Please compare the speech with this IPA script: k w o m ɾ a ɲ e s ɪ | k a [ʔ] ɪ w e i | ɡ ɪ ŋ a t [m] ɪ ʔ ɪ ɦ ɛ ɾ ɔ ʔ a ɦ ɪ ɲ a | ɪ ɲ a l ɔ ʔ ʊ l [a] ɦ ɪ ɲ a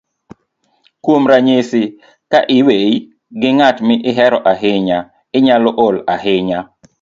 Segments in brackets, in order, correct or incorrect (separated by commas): correct, correct, correct